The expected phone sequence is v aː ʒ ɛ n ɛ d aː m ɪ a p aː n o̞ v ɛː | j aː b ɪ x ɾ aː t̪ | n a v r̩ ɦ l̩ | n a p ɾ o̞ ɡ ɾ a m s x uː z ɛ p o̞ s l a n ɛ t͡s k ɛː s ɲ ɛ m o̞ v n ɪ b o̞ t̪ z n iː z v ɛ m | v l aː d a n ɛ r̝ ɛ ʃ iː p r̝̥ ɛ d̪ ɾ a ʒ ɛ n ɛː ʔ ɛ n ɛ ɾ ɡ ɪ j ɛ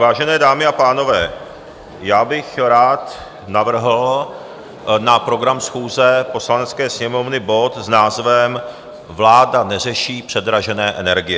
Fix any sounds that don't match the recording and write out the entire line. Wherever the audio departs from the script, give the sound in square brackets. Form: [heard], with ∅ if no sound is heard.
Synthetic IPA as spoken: v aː ʒ ɛ n [ɛː] d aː m ɪ a p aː n o̞ v ɛː | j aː b ɪ x ɾ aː t̪ | n a v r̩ ɦ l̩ | n a p ɾ o̞ ɡ ɾ a m s x uː z ɛ p o̞ s l a n ɛ t͡s k ɛː s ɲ ɛ m o̞ v n ɪ b o̞ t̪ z n [aː] z v ɛ m | v l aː d a n ɛ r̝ ɛ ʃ iː p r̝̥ ɛ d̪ ɾ a ʒ ɛ n ɛː ʔ ɛ n ɛ ɾ ɡ ɪ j ɛ